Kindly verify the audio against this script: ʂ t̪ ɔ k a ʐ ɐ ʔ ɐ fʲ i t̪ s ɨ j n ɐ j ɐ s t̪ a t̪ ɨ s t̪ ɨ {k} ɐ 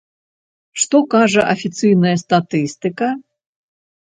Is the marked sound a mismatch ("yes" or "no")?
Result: no